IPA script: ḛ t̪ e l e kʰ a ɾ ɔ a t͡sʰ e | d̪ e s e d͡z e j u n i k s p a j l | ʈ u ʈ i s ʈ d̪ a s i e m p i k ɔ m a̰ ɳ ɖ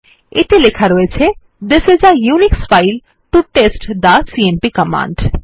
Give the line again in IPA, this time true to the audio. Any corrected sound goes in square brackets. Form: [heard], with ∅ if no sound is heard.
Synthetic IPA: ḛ t̪ e l e kʰ a ɾ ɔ [e] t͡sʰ e | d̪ e s e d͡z [a] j u n i k s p a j l | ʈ u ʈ [e] s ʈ d̪ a s i e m p i k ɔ m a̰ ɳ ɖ